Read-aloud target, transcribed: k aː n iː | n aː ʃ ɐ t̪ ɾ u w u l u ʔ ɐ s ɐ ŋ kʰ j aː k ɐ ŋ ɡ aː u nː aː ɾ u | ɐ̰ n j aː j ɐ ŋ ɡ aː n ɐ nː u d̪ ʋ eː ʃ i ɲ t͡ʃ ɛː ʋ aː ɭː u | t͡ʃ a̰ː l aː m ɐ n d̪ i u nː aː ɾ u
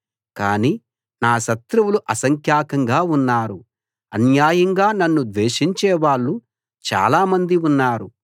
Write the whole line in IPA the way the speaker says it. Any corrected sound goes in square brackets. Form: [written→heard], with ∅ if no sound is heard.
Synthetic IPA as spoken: k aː n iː | n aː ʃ ɐ t̪ ɾ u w u l u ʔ ɐ s ɐ ŋ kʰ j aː k ɐ ŋ ɡ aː u nː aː ɾ u | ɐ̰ n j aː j ɐ ŋ ɡ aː n ɐ nː u d̪ ʋ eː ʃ i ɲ t͡ʃ ɛː ʋ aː ɭː u | t͡ʃ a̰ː l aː m ɐ n d̪ i u nː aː ɾ u